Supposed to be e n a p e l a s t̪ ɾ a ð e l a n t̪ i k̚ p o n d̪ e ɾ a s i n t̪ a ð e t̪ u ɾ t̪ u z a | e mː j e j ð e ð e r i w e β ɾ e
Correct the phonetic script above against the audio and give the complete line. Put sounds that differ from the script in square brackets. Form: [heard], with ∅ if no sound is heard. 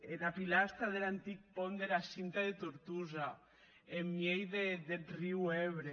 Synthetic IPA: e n a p [i] l a s t̪ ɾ a ð e l a n t̪ i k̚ p o n d̪ e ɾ a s i n t̪ a ð e t̪ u ɾ t̪ u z a | e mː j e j ð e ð e r i w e β ɾ e